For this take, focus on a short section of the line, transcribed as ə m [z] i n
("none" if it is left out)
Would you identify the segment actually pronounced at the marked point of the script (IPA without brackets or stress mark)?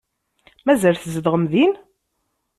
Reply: ð